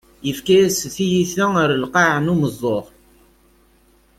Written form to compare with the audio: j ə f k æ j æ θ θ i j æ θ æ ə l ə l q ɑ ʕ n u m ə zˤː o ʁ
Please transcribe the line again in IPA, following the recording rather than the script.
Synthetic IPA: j ə f k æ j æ s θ i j i θ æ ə ɾ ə l q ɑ ʕ n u m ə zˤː o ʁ

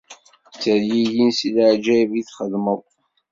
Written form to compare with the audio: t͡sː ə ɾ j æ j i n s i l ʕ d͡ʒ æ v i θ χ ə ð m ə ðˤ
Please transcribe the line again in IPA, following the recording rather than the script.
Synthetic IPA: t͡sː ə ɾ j i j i n s i l ʕ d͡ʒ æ v i θ χ ə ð m ə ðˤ

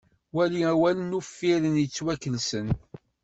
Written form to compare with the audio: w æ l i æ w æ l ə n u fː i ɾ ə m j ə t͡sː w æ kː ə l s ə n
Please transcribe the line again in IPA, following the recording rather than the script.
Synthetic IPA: w æ l i æ w æ l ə n u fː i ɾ ə n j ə t͡sː w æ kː ə l s ə n

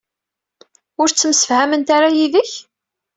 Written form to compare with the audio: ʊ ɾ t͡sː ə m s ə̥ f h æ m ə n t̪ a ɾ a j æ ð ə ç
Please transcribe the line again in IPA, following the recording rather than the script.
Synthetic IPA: ʊ ɾ t͡sː ə m s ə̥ f h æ m ə n t̪ a ɾ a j i ð ə ç

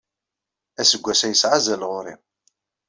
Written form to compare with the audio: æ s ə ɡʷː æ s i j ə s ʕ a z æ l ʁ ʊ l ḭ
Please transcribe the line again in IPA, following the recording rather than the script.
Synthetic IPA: æ s ə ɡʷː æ s æ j ə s ʕ a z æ l ʁ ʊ ɾ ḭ

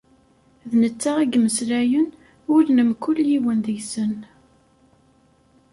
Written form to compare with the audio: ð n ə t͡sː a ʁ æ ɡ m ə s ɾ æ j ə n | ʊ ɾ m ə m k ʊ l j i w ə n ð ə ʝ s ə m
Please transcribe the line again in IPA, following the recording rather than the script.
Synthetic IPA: ð n ə t͡sː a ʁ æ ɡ m ə s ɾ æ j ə n | ʊ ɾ n ə m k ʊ l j i w ə n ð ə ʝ s ə n

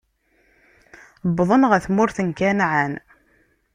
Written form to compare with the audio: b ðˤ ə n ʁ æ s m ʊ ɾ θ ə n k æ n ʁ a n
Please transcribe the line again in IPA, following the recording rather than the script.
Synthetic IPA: b ðˤ ə n ʁ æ θ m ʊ ɾ θ ə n k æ n ʕ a n

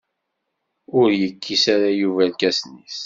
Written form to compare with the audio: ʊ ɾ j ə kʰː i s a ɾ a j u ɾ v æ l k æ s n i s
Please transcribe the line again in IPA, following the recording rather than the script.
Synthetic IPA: ʊ ɾ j ə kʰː i s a ɾ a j u v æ l k æ s n i s

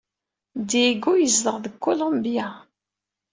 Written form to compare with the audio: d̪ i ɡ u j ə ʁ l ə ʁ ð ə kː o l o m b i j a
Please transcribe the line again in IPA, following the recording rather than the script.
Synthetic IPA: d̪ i ɡ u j ə z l ə ʁ ð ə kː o l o m b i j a

